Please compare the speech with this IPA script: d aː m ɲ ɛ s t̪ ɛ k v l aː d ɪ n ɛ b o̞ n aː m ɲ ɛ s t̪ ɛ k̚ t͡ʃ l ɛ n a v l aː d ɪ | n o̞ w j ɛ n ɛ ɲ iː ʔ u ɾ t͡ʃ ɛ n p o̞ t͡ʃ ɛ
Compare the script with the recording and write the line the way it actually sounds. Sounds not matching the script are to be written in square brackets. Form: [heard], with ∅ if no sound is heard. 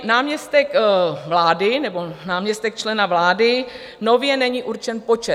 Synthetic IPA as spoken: [n] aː m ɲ ɛ s t̪ ɛ k v l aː d ɪ n ɛ b o̞ n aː m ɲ ɛ s t̪ ɛ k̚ t͡ʃ l ɛ n a v l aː d ɪ | n o̞ [v] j ɛ n ɛ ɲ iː ʔ u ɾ t͡ʃ ɛ n p o̞ t͡ʃ ɛ

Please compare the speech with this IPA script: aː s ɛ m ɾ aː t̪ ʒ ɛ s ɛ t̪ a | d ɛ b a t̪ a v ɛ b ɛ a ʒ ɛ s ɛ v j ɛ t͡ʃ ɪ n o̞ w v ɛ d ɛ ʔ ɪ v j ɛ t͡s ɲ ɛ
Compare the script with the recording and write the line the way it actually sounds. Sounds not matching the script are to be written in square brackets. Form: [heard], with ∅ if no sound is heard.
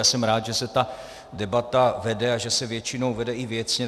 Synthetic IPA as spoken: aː s ɛ m ɾ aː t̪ ʒ ɛ s ɛ t̪ a | d ɛ b a t̪ a v ɛ [d] ɛ a ʒ ɛ s ɛ v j ɛ t͡ʃ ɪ n o̞ w v ɛ d ɛ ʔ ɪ v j ɛ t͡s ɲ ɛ

